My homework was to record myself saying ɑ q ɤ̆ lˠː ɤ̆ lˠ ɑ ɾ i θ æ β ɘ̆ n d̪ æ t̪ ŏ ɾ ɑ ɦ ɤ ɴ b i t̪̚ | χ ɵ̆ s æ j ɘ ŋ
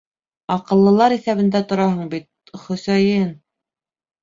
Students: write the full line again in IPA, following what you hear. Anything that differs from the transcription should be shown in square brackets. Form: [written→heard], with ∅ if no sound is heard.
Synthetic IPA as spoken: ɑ q ɤ̆ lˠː ɤ̆ lˠ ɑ ɾ i θ æ β ɘ̆ n d̪ æ t̪ ŏ ɾ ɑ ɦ ɤ ɴ b i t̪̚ | χ ɵ̆ s æ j ɘ [ŋ→n]